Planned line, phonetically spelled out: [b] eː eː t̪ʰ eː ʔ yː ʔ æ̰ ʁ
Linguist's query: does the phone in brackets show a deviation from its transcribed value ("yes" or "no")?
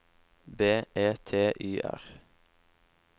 no